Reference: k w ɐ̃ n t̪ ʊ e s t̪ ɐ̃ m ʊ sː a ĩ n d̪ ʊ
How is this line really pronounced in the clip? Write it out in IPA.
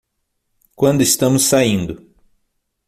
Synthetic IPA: k w ɐ̃ n d̪ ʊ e s t̪ ɐ̃ m ʊ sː a ĩ n d̪ ʊ